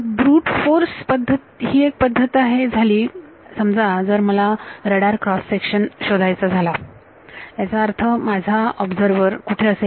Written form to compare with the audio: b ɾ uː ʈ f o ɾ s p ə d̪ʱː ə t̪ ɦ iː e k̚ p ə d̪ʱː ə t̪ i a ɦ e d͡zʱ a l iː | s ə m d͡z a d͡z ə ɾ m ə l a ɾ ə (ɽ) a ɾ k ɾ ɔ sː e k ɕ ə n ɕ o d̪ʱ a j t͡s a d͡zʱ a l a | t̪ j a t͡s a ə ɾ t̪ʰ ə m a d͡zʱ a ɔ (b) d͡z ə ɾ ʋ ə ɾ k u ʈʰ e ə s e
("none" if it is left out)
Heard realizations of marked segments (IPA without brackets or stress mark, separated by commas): ɽ, b